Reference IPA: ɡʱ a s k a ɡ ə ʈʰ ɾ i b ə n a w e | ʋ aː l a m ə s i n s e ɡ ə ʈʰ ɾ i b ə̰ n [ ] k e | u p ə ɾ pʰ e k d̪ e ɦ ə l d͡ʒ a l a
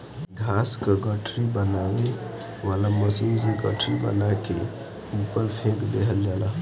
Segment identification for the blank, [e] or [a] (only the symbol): a